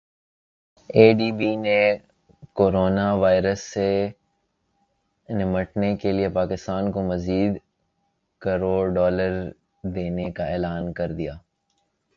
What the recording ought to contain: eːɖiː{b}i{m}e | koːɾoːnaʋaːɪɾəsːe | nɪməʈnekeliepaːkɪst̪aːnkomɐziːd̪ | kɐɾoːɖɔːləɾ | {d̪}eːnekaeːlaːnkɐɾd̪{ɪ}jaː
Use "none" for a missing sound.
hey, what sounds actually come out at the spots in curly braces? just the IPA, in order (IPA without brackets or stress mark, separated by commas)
b, n, d̪, i